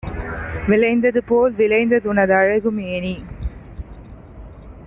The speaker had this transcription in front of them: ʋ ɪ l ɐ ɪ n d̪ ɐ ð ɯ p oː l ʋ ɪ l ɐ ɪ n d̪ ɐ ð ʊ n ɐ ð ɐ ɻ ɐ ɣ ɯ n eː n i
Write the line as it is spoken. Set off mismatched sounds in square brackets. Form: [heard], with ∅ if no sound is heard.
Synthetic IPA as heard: ʋ ɪ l ɐ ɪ n d̪ ɐ ð ɯ p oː l ʋ ɪ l ɐ ɪ n d̪ ɐ ð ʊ n ɐ ð ɐ ɻ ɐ ɣ ɯ [m] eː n i

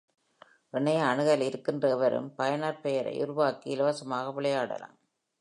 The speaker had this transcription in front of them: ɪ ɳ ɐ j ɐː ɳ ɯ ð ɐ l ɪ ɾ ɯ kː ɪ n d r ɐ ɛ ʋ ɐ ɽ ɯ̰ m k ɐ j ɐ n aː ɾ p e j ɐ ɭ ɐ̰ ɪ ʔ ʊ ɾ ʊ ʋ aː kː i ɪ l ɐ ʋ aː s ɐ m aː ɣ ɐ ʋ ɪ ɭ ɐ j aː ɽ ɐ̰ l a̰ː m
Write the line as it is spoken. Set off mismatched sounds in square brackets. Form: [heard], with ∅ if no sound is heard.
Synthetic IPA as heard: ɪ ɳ ɐ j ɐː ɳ ɯ [ɣ] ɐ l ɪ ɾ ɯ kː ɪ n d r ɐ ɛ ʋ ɐ [ɾ] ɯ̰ m [p] ɐ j ɐ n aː ɾ p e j ɐ [ɾ] ɐ̰ ɪ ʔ ʊ ɾ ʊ ʋ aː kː i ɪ l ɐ ʋ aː s ɐ m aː ɣ ɐ ʋ ɪ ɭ ɐ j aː ɽ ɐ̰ l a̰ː m

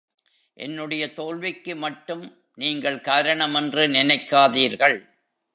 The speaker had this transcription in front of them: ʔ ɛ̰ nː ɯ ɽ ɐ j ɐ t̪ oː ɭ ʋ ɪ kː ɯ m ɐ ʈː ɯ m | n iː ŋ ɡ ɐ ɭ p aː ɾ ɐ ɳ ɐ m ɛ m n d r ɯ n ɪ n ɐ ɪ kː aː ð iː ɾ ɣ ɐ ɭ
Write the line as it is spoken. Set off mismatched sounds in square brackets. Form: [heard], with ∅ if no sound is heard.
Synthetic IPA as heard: ʔ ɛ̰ nː ɯ ɽ ɐ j ɐ t̪ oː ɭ ʋ ɪ kː ɯ m ɐ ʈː ɯ m | n iː ŋ ɡ ɐ ɭ [k] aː ɾ ɐ ɳ ɐ m ɛ [∅] n d r ɯ n ɪ n ɐ ɪ kː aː ð iː ɾ ɣ ɐ ɭ

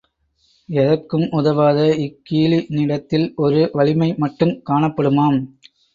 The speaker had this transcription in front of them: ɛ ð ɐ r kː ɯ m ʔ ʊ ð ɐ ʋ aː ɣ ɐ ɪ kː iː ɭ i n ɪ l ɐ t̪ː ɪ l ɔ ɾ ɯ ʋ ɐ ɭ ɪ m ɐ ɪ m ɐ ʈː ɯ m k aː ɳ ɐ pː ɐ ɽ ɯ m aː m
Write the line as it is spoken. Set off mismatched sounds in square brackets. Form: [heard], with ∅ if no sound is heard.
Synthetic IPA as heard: ɛ ð ɐ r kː ɯ m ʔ ʊ ð ɐ ʋ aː [ð] ɐ ɪ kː iː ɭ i n ɪ [ɽ] ɐ t̪ː ɪ l ɔ ɾ ɯ ʋ ɐ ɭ ɪ m ɐ ɪ m ɐ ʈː ɯ m k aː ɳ ɐ pː ɐ ɽ ɯ m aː m

